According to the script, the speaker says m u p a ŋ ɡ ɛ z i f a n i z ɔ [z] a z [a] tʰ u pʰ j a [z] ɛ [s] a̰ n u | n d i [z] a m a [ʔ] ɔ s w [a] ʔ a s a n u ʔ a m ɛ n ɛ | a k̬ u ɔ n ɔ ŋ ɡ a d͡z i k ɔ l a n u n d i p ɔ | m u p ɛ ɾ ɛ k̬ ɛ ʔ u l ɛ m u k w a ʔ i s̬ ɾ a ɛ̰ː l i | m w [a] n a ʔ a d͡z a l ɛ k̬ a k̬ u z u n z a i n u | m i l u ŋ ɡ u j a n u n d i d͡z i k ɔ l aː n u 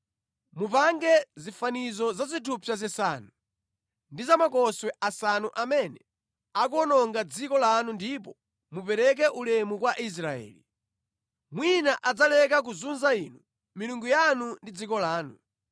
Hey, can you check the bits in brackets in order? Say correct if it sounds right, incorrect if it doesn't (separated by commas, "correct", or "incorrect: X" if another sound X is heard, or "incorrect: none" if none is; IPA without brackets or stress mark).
correct, incorrect: i, correct, correct, correct, incorrect: k, incorrect: ɛ, incorrect: i